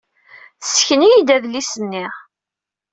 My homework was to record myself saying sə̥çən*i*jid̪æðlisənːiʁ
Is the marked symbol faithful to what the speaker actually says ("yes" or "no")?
yes